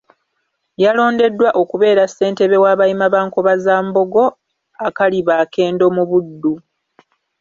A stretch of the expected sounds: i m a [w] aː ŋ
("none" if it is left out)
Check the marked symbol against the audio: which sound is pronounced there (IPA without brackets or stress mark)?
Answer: β